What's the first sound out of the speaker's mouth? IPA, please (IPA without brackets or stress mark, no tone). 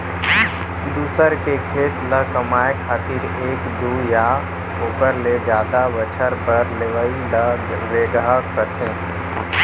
d̪